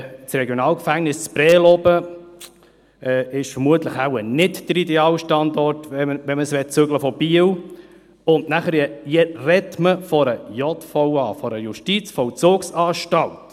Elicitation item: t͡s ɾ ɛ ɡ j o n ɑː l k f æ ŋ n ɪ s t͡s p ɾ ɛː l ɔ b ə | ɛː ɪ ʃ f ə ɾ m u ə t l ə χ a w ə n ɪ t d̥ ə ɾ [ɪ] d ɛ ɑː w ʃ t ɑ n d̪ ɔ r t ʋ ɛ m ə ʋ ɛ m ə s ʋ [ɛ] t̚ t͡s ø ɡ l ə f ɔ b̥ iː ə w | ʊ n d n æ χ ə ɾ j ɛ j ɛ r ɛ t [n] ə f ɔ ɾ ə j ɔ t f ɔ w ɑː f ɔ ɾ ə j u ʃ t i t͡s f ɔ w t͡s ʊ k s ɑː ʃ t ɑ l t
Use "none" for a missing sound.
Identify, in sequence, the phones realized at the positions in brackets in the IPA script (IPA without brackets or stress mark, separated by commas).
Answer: i, ɛ, m